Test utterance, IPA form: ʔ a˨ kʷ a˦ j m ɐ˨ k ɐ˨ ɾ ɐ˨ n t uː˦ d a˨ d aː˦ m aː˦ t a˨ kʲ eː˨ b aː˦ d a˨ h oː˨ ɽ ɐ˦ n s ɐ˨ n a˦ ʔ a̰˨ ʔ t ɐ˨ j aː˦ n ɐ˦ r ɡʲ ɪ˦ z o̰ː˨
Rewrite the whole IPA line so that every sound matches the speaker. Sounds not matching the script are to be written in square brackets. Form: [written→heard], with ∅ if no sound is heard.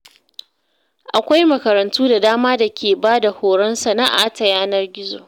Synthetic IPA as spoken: ʔ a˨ kʷ a˦ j m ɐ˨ k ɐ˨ ɾ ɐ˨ n t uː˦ d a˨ d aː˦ m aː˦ [t→d] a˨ kʲ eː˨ b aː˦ d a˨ h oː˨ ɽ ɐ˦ n s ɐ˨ n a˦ ʔ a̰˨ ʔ t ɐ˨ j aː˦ n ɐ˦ r ɡʲ ɪ˦ z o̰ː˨